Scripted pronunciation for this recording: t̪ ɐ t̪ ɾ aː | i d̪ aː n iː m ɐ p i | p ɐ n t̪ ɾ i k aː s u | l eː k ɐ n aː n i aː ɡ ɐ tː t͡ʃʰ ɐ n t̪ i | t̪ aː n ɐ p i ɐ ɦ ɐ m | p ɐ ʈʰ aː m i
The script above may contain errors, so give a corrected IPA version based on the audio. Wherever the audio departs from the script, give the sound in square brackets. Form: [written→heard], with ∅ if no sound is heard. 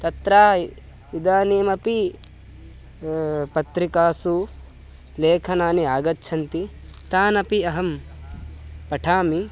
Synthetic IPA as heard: t̪ ɐ t̪ ɾ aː | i d̪ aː n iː m ɐ p i | p ɐ [n→∅] t̪ ɾ i k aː s u | l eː [k→kʰ] ɐ n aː n i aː ɡ ɐ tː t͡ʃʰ ɐ n t̪ i | t̪ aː n ɐ p i ɐ ɦ ɐ m | p ɐ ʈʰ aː m i

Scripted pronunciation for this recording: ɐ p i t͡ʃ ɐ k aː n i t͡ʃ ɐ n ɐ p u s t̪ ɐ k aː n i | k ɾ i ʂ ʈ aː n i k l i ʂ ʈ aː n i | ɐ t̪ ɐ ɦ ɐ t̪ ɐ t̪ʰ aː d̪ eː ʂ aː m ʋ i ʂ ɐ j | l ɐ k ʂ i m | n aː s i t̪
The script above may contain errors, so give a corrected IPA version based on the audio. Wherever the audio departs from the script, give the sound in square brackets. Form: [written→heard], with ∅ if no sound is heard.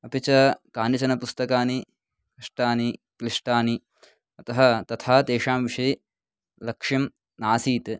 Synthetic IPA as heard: ɐ p i t͡ʃ ɐ k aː n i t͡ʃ ɐ n ɐ p u s t̪ ɐ k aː n i | k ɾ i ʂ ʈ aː n i k l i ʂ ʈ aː n i | ɐ t̪ ɐ ɦ ɐ t̪ ɐ t̪ʰ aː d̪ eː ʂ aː m ʋ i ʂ ɐ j | l ɐ k ʂ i m | n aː s [i→iː] t̪

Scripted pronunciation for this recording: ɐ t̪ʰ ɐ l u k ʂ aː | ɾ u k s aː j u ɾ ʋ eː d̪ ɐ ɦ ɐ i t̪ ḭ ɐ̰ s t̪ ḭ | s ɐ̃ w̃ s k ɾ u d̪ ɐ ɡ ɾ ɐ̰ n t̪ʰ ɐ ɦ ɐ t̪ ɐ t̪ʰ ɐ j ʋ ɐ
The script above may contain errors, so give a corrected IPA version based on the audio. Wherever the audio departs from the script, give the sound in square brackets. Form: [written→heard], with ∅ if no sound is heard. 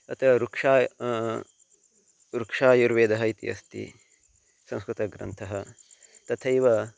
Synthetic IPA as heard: ɐ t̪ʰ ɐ [l→ɾ] u k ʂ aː | ɾ u k [s→ʂ] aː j u ɾ ʋ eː d̪ ɐ ɦ ɐ i t̪ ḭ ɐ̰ s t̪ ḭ | s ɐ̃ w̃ s k ɾ u [d̪→t̪] ɐ ɡ ɾ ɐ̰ n t̪ʰ ɐ ɦ ɐ t̪ ɐ t̪ʰ ɐ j ʋ ɐ

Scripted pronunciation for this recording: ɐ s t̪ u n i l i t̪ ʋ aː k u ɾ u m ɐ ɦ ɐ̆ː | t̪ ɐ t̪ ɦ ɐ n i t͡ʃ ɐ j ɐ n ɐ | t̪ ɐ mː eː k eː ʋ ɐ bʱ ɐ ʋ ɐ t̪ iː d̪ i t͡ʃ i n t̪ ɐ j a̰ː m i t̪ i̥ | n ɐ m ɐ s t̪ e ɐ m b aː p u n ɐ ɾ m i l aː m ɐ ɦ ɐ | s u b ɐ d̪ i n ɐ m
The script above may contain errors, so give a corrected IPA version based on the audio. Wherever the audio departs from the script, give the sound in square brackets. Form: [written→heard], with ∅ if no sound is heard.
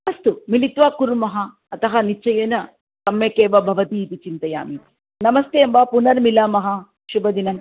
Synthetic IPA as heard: ɐ s t̪ u [n→m] i l i t̪ ʋ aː k u ɾ u m ɐ ɦ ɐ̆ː | t̪ ɐ [t̪→∅] ɦ ɐ n i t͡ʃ ɐ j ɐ n ɐ | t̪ ɐ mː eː k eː ʋ ɐ bʱ ɐ ʋ ɐ t̪ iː [d̪→t̪] i t͡ʃ i n t̪ ɐ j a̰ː m i t̪ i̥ | n ɐ m ɐ s t̪ e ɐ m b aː p u n ɐ ɾ m i l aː m ɐ ɦ ɐ | [s→ʃ] u b ɐ d̪ i n ɐ m

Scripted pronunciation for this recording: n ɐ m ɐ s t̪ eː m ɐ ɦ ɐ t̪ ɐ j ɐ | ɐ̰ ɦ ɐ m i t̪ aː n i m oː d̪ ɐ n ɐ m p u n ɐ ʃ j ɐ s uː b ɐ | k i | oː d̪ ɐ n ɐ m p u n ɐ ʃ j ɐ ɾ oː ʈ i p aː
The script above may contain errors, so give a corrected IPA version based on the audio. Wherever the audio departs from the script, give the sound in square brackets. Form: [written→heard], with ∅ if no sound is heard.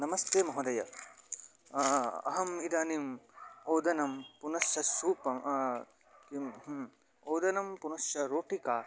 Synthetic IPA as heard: n ɐ m ɐ s t̪ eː m ɐ ɦ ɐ [t̪→d̪] ɐ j ɐ | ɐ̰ ɦ ɐ m i [t̪→d̪] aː n i m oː d̪ ɐ n ɐ m p u n ɐ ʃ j ɐ s uː [b→p] ɐ | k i | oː d̪ ɐ n ɐ m p u n ɐ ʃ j ɐ ɾ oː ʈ i [p→k] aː

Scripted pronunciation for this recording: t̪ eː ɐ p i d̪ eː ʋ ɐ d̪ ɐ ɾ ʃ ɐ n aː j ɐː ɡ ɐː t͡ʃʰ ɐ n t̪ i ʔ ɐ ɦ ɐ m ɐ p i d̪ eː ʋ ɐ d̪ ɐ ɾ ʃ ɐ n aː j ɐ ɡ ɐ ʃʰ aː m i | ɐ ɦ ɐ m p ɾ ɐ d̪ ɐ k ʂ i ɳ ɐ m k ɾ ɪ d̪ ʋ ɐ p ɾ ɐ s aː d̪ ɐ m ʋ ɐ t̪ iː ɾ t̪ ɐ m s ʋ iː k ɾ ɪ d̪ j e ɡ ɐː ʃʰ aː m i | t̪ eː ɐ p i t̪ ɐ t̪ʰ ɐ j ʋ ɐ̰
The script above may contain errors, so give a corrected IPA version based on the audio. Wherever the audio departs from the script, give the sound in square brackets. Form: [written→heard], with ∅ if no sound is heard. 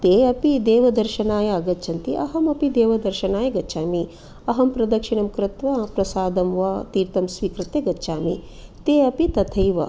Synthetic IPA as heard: t̪ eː ɐ p i d̪ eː ʋ ɐ d̪ ɐ ɾ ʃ ɐ n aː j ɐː ɡ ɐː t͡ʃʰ ɐ n t̪ i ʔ ɐ ɦ ɐ m ɐ p i d̪ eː ʋ ɐ d̪ ɐ ɾ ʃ ɐ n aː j ɐ ɡ ɐ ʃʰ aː m i | ɐ ɦ ɐ m p ɾ ɐ d̪ ɐ k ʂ i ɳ ɐ m k ɾ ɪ [d̪→t̪] ʋ ɐ p ɾ ɐ s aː d̪ ɐ m ʋ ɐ t̪ iː ɾ t̪ ɐ m s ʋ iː k ɾ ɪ [d̪→t̪] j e ɡ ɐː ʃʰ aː m i | t̪ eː ɐ p i t̪ ɐ t̪ʰ ɐ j ʋ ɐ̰

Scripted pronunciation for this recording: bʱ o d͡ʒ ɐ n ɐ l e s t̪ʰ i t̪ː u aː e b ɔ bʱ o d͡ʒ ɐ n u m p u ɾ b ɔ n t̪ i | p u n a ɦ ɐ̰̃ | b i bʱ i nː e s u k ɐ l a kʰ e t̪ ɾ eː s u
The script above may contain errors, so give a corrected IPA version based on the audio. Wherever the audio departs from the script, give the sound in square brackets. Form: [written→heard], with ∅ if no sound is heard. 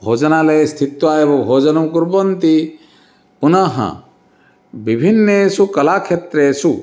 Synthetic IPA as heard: bʱ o d͡ʒ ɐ n [ɐ→a] l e s t̪ʰ i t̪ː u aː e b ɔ bʱ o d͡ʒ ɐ n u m [p→k] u ɾ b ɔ n t̪ i | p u n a ɦ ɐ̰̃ | b i bʱ i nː e s u k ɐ l a kʰ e t̪ ɾ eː s u

